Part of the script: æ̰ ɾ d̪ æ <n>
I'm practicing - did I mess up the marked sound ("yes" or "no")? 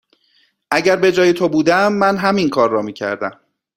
yes